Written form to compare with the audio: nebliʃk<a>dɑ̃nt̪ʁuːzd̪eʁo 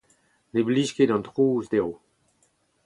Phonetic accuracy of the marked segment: incorrect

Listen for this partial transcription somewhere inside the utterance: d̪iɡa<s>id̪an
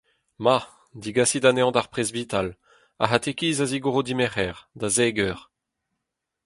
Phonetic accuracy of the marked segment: correct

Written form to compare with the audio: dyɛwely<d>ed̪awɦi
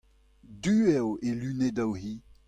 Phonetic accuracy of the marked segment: incorrect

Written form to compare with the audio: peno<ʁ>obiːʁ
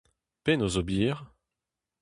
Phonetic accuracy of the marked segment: incorrect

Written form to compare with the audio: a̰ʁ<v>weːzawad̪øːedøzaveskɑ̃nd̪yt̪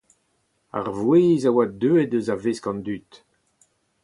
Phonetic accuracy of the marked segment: correct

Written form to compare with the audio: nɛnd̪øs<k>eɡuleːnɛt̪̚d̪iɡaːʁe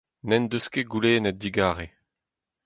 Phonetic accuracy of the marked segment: correct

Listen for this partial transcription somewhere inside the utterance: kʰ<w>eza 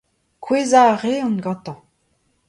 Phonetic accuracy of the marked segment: correct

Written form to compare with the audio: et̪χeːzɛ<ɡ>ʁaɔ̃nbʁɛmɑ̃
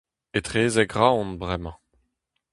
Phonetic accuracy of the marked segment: correct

